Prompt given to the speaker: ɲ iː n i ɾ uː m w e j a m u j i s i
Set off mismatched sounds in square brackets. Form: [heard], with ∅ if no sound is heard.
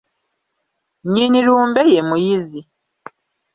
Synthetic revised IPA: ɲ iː n i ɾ uː m [b] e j [e] m u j i [z] i